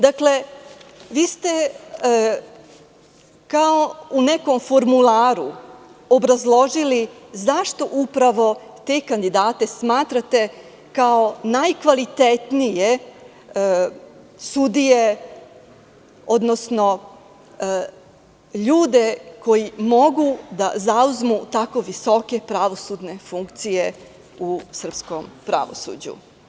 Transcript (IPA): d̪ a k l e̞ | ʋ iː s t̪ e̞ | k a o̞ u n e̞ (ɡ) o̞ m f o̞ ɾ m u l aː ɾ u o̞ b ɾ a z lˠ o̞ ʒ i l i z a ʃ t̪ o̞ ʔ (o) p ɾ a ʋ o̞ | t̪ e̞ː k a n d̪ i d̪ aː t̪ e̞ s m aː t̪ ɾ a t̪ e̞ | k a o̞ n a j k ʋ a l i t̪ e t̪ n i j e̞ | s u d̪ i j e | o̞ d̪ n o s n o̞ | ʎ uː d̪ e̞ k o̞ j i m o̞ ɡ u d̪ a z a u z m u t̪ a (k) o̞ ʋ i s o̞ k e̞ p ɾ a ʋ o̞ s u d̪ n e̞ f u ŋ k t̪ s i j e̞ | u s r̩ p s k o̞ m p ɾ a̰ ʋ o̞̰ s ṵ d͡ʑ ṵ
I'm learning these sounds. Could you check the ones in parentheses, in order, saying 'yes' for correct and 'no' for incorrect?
no, no, yes

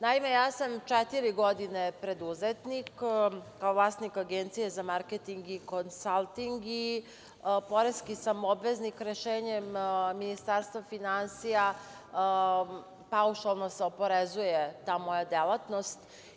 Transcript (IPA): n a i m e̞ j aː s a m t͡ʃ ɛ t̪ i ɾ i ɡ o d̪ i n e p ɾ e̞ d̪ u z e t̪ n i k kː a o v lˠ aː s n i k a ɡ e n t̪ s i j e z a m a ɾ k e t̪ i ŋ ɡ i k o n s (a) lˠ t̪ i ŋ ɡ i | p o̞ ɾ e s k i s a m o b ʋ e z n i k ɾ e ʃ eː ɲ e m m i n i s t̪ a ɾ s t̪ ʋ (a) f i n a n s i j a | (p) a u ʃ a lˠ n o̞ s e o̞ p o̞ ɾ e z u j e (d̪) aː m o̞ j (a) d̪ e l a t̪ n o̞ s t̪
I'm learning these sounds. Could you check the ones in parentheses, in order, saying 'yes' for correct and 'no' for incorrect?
yes, yes, yes, no, yes

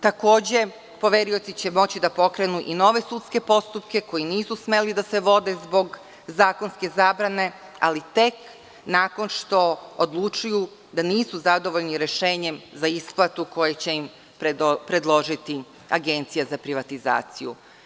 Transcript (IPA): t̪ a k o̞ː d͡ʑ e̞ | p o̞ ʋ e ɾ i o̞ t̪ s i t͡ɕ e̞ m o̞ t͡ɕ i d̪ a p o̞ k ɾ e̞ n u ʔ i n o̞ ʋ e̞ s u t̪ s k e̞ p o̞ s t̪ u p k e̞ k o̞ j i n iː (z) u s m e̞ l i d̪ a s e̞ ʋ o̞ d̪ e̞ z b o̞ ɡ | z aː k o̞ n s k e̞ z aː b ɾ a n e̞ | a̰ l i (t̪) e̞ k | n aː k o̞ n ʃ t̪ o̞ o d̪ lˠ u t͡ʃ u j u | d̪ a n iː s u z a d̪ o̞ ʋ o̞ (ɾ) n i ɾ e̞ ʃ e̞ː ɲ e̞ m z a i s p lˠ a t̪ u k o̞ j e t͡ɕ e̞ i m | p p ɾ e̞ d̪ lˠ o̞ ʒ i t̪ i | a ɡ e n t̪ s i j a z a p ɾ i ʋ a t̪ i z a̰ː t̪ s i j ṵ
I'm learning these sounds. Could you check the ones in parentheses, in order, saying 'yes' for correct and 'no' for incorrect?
no, yes, no

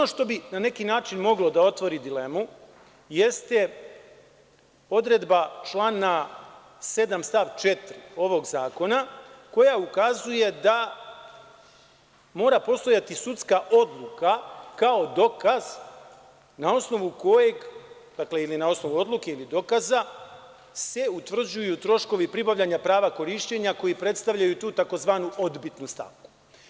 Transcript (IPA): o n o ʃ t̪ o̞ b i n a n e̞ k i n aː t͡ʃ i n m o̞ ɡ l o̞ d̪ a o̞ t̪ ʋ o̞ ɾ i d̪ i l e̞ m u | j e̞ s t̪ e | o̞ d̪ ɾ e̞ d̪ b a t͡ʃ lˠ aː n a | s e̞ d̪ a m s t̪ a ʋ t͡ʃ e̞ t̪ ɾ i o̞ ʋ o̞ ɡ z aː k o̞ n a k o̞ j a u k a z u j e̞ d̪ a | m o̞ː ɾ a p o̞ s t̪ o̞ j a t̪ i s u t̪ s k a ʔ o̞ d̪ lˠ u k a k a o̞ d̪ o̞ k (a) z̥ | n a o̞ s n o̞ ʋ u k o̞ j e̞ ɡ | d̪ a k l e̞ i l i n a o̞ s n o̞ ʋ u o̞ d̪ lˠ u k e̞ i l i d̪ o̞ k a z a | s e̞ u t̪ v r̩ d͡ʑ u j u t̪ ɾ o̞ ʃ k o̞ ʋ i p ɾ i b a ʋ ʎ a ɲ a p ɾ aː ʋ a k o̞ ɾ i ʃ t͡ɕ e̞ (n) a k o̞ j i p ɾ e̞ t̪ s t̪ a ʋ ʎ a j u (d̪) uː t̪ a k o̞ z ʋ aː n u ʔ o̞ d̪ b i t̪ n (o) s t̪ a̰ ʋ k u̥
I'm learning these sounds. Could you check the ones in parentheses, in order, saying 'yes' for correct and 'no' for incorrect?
yes, no, no, no

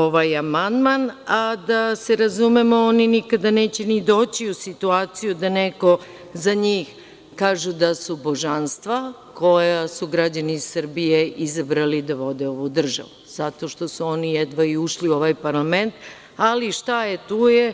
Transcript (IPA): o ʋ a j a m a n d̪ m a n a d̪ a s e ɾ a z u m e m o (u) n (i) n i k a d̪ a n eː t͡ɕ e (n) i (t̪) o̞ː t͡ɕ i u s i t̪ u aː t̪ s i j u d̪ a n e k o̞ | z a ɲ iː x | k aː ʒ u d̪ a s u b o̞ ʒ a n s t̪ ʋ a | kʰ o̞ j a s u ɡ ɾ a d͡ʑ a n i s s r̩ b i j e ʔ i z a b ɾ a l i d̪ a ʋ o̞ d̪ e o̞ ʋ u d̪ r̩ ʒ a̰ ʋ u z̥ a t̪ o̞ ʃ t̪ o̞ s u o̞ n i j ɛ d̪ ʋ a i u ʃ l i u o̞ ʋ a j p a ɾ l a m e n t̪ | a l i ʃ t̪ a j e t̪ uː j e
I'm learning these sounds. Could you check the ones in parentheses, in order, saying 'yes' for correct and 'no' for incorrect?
no, yes, yes, no

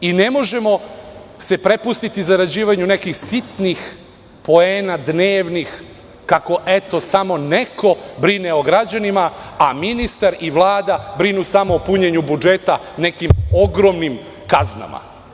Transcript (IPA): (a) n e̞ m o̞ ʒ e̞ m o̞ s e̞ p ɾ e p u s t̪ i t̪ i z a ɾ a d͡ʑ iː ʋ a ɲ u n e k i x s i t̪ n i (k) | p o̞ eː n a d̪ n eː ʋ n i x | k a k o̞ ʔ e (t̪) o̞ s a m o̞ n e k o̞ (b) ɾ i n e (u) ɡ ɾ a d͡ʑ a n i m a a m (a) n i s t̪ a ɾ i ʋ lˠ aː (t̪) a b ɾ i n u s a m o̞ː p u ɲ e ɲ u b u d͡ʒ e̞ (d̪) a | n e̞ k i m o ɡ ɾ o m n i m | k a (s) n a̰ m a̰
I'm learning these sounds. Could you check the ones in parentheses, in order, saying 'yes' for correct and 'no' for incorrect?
no, no, yes, yes, no, no, no, no, no

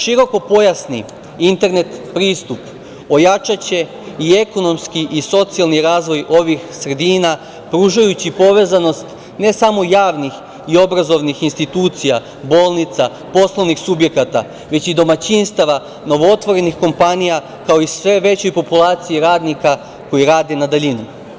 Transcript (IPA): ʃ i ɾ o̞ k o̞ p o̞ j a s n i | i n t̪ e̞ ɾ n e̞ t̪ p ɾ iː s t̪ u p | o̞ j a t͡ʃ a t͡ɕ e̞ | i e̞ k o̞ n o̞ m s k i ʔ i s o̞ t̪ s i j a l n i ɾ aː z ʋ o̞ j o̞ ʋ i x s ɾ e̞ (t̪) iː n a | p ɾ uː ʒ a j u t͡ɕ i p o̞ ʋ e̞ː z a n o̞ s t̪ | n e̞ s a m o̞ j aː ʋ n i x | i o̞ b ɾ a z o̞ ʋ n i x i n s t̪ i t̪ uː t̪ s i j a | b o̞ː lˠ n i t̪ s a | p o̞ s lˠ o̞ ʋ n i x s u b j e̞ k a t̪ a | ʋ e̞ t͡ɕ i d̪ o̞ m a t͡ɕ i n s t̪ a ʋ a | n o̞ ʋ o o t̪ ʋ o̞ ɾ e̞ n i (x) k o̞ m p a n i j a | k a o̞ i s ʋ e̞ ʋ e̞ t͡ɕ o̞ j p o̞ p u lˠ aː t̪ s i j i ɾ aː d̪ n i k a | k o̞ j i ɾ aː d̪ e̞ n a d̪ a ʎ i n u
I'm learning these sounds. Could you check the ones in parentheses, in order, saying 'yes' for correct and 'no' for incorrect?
no, yes

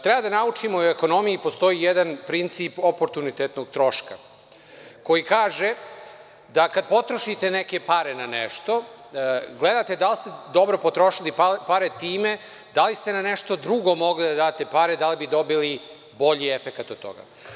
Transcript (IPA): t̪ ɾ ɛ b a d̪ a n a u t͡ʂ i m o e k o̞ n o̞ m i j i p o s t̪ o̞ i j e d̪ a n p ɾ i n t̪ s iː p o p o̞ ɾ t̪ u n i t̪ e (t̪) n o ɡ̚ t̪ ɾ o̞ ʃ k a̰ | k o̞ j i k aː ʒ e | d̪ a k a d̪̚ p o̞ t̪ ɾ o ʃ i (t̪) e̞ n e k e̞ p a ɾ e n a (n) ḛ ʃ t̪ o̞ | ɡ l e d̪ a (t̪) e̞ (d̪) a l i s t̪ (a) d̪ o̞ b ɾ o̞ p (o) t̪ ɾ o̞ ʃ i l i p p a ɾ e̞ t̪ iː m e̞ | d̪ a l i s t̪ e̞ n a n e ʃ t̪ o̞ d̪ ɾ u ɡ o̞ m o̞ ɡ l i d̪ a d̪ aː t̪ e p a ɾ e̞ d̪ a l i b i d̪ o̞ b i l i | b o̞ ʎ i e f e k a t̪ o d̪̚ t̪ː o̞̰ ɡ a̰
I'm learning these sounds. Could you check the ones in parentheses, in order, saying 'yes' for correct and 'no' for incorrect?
yes, yes, yes, yes, yes, no, yes

